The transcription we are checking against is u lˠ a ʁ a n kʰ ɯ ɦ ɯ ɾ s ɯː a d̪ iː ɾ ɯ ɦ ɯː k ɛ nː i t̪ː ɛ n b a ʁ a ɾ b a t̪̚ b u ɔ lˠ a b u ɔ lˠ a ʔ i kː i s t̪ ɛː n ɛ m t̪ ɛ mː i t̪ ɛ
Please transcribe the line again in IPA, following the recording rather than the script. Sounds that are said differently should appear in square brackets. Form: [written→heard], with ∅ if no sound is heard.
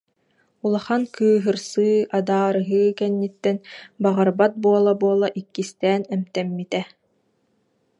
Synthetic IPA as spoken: u lˠ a [ʁ→χ] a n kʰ [ɯ→ɯː] ɦ ɯ ɾ s ɯː a d̪ [iː→aː] ɾ ɯ ɦ ɯː k ɛ nː i t̪ː ɛ n b a ʁ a ɾ b a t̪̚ b u ɔ lˠ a b u ɔ lˠ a ʔ i kː i s t̪ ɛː n ɛ m t̪ ɛ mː i t̪ ɛ